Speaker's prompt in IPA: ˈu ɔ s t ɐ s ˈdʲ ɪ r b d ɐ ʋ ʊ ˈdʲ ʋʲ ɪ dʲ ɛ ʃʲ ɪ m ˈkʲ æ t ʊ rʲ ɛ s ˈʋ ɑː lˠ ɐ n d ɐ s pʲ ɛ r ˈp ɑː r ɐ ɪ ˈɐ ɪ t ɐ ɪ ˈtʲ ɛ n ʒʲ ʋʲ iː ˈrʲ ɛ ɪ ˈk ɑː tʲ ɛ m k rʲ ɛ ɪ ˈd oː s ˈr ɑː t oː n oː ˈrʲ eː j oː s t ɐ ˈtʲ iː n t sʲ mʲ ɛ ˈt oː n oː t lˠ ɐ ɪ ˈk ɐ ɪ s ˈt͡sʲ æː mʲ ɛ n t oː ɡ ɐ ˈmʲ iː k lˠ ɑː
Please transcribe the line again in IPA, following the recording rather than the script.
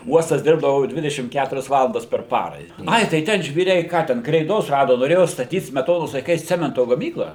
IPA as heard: ˈu ɔ s t ɐ s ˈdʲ ɪ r b d ɐ ʋ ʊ ˈdʲ ʋʲ ɪ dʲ ɛ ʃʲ ɪ m ˈkʲ æ t ʊ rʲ ɛ s ˈʋ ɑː lˠ ɐ n d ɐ s pʲ ɛ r ˈp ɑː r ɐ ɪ ˈɐ ɪ t ɐ ɪ ˈtʲ ɛ n ʒʲ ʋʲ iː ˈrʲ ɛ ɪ ˈk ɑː tʲ ɛ n k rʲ ɛ ɪ ˈd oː s ˈr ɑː d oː n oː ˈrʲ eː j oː s t ɐ ˈtʲ iː t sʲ mʲ ɛ ˈt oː n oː s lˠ ɐ ɪ ˈk ɐ ɪ s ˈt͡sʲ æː mʲ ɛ n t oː ɡ ɐ ˈmʲ iː k lˠ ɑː